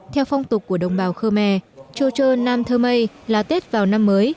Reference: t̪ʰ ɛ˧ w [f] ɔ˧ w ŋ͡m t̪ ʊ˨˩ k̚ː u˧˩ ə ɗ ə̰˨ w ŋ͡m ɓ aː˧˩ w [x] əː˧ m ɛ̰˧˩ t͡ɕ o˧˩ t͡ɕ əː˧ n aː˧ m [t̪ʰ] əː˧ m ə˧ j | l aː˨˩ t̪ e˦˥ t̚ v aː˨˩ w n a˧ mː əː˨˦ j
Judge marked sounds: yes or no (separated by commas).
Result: yes, yes, yes